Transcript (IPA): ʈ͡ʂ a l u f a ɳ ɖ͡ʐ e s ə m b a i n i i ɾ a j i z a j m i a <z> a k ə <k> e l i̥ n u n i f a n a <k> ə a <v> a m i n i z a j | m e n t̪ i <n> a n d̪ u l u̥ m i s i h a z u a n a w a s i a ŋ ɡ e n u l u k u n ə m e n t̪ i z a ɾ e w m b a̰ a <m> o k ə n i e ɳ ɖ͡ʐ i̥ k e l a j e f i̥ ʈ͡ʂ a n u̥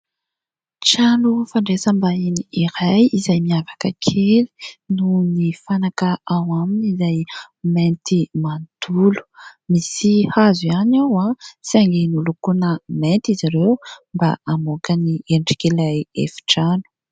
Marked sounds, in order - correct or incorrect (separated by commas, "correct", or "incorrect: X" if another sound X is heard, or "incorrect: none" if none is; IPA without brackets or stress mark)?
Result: incorrect: v, incorrect: kʰ, correct, incorrect: w, incorrect: m, correct